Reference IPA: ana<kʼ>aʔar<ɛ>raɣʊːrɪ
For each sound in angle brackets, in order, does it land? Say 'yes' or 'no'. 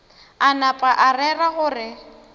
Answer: no, yes

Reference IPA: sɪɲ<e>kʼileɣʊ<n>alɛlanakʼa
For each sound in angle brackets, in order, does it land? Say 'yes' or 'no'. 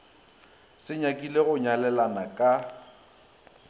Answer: no, no

